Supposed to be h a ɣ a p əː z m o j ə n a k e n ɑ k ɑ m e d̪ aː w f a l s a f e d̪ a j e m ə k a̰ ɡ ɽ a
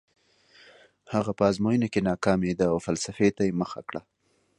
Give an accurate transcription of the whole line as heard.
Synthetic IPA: h a ɣ a p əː z m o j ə n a k e n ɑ k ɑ m e d̪ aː w f a l s a f e t̪ a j e m ə x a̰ k ɽ a

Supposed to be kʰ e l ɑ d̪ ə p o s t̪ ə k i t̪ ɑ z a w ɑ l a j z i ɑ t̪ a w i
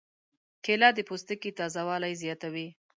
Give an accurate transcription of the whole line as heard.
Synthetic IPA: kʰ e l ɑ d̪ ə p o s t̪ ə k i t̪ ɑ z a w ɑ l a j z j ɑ t̪ a w i

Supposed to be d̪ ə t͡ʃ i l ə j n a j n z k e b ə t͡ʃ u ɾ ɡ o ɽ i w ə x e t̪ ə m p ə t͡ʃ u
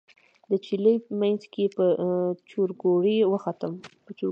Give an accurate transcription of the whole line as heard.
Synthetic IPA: d̪ ə t͡ʃ i l ə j m a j n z k e p ə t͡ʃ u ɾ ɡ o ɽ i w ə x a t̪ ə m p ə t͡ʃ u

